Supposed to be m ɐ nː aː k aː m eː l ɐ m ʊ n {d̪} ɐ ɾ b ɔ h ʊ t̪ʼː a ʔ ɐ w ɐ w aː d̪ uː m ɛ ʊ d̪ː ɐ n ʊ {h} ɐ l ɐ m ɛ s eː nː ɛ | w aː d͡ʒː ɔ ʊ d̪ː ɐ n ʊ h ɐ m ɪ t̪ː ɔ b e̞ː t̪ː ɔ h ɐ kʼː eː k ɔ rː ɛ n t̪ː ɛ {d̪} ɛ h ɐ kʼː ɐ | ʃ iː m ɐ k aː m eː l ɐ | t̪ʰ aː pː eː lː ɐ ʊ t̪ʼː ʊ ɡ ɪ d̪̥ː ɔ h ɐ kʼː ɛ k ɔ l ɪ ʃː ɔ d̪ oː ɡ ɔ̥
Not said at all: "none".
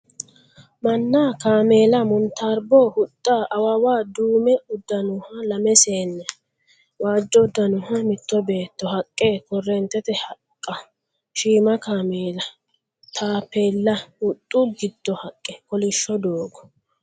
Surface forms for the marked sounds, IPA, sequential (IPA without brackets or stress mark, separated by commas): t̪, h, t̪